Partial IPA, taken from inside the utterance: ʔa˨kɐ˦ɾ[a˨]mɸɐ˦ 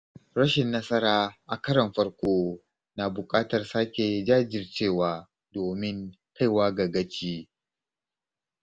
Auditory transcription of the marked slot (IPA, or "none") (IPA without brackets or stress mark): ɐ˨